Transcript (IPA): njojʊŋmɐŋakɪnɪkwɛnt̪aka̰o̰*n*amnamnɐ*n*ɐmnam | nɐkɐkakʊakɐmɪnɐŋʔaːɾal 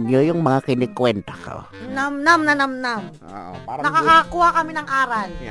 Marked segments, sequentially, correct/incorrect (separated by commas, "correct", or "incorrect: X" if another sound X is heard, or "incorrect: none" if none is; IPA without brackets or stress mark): correct, correct